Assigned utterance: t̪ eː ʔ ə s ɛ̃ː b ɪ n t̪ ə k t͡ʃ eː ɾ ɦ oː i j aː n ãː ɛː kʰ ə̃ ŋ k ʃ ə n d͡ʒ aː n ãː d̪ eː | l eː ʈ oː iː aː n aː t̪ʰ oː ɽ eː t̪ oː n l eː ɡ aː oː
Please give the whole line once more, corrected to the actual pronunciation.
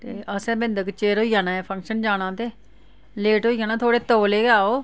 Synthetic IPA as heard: t̪ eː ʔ ə s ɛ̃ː b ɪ n d̪ ə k t͡ʃ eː ɾ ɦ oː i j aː n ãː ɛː pʰ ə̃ ŋ k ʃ ə n d͡ʒ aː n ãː t̪ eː | l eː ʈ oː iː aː n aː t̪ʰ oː ɽ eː t̪ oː l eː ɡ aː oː